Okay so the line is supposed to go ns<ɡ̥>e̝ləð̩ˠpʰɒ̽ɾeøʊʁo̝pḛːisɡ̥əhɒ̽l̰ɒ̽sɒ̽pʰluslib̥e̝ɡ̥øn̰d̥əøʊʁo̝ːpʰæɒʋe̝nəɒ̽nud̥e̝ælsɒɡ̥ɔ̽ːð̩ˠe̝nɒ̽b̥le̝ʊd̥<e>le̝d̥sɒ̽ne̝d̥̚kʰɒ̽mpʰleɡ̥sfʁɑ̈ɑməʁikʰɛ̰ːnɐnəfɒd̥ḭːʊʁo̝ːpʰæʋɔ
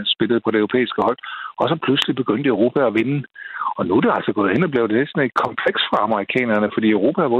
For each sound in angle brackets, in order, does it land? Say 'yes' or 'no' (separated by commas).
no, yes